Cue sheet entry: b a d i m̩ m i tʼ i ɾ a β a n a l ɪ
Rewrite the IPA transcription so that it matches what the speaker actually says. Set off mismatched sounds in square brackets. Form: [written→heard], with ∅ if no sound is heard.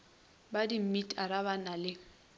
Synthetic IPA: b a d i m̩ m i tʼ [i→a] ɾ a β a n a l ɪ